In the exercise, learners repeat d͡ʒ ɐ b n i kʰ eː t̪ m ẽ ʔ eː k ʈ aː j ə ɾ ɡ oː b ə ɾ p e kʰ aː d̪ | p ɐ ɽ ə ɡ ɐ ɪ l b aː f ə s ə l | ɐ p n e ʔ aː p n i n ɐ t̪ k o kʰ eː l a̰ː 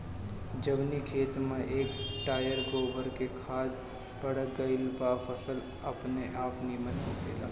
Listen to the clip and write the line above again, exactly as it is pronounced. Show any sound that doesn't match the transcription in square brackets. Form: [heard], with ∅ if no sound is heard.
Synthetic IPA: d͡ʒ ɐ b n i kʰ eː t̪ m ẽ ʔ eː k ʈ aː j ə ɾ ɡ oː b ə ɾ [k] e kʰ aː d̪ | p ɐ ɽ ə ɡ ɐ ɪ l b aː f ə s ə l | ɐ p n e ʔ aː p n i [m] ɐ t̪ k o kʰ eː l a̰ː